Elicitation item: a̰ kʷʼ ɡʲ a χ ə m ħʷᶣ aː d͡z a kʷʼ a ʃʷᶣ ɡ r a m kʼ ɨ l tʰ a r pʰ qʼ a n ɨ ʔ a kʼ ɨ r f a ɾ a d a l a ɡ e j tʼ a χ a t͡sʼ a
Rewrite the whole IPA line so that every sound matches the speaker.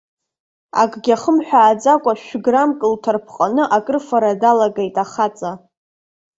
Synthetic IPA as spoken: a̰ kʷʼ ɡʲ a χ ə m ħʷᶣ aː d͡z a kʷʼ a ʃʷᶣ ɡ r a m kʼ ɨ l tʰ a r pʰ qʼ a n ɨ ʔ a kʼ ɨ r f a ɾ a d a l a ɡ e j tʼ a χ a t͡sʼ a

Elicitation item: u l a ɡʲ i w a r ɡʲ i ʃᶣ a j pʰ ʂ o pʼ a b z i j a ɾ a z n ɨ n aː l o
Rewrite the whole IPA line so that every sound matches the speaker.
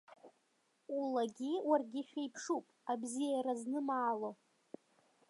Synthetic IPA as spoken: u l a ɡʲ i w a r ɡʲ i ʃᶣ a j pʰ ʂ u pʼ a b z i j a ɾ a z n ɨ m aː l o

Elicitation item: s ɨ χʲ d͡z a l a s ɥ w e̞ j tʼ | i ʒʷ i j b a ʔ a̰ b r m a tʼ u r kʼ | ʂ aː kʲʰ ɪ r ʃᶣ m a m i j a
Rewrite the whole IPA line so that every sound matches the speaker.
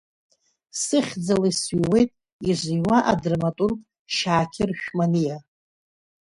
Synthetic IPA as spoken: s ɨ χʲ d͡z a l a s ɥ w e̞ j tʼ | i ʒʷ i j w a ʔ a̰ d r m a tʼ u r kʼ | ʃ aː kʲʰ ɪ r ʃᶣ m a n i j a

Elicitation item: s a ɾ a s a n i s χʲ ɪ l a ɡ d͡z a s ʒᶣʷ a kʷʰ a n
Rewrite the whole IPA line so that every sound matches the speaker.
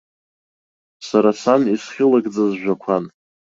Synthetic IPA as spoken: s a ɾ a s a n i s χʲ ɪ l a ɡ d͡z a z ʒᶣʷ a kʷʰ a n

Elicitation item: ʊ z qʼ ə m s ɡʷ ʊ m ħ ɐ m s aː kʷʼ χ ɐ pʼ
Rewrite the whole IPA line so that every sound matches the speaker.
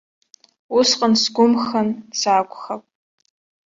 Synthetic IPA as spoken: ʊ s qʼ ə n s ɡʷ ʊ m x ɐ n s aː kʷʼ x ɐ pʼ

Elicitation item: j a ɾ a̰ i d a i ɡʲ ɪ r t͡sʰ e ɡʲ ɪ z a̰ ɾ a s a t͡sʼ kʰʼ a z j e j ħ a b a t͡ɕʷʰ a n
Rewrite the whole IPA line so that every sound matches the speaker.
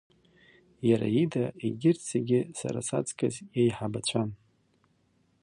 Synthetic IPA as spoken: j a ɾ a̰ i d a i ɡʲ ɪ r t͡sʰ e ɡʲ ɪ s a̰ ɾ a s a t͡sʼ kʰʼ a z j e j ħ a b a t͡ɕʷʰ a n

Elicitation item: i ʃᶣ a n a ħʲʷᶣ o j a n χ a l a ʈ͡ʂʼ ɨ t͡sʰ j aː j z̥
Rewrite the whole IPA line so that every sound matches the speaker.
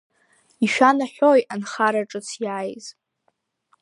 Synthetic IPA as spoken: i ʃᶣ a n a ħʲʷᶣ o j a n χ a ɾ a ʈ͡ʂʼ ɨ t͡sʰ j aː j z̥

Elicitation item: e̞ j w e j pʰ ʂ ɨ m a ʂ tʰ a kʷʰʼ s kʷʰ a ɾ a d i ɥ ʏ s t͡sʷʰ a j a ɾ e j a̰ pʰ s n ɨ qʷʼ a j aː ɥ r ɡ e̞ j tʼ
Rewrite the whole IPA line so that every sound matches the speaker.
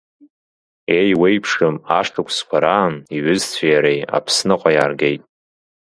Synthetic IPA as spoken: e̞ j w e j pʰ ʂ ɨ m a ʂ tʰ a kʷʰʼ s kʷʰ a ɾ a n i ɥ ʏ z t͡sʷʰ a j a ɾ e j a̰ pʰ s n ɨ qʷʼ a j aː r ɡ e̞ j tʼ

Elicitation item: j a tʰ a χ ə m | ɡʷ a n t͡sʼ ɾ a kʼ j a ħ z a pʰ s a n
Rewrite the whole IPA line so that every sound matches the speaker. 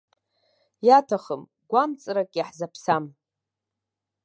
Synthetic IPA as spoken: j a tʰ a χ ə m | ɡʷ a m t͡sʼ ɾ a kʼ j a ħ z a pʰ s a m

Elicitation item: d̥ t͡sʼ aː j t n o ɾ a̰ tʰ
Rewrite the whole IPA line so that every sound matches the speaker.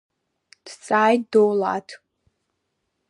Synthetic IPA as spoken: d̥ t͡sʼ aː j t d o l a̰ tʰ

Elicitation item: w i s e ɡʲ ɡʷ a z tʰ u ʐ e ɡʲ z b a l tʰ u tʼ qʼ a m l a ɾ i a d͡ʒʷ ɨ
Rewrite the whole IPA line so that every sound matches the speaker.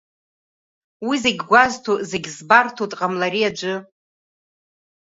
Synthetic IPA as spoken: w i z e ɡʲ ɡʷ a z tʰ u z e ɡʲ z b a r tʰ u tʼ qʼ a m l a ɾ i a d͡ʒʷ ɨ

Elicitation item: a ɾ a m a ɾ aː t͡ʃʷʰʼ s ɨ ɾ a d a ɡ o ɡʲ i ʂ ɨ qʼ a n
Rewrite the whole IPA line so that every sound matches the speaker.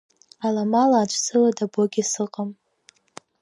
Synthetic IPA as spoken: a l a m a l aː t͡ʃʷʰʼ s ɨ l a d a b o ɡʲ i s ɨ qʼ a m

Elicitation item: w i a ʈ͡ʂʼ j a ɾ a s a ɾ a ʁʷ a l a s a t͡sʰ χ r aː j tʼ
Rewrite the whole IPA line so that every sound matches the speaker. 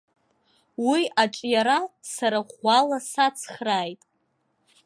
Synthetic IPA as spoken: w i a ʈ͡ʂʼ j a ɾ a s a ɾ a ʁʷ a l a s a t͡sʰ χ r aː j tʼ

